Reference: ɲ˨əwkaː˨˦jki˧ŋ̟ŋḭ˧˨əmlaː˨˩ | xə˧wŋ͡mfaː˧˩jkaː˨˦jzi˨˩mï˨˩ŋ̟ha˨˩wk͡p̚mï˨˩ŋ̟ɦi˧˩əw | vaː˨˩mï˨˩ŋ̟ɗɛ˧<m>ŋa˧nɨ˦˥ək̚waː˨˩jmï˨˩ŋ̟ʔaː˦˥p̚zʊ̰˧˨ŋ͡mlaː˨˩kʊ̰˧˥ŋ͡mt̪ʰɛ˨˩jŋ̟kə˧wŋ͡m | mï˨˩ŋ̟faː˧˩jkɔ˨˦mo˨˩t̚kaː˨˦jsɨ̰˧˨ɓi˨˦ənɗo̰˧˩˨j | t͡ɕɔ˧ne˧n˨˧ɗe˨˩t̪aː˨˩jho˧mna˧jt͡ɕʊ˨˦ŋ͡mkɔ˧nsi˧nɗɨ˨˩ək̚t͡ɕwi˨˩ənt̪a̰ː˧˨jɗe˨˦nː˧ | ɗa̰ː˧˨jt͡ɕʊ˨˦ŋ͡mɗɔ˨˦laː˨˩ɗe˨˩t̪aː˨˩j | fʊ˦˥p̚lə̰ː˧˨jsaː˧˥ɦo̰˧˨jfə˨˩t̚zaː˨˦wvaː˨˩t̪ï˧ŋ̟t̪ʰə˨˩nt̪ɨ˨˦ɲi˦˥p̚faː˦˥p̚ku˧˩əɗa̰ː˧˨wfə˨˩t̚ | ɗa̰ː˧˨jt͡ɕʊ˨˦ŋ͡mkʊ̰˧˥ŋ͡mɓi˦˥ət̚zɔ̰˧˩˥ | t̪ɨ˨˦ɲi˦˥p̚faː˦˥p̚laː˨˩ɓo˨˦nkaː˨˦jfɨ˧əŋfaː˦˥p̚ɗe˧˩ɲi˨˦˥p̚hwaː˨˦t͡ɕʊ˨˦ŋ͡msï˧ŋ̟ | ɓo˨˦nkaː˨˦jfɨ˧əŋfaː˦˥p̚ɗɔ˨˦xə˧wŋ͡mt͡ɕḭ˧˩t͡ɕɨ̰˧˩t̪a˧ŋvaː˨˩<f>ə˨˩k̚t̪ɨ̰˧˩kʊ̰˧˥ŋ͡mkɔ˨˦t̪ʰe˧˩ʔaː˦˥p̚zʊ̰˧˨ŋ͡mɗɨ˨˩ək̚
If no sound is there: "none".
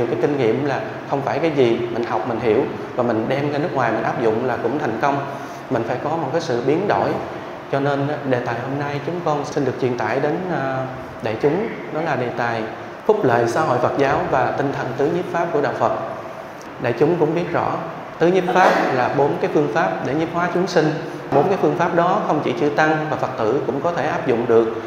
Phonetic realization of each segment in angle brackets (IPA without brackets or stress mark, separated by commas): m, f